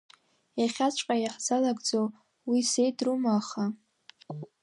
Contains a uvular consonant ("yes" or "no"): yes